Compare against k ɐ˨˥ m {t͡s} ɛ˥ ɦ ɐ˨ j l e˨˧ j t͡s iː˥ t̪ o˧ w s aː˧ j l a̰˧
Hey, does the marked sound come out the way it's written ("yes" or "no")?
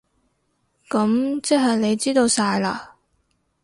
yes